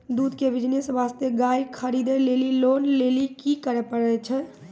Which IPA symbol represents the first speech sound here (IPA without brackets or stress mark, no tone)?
d̪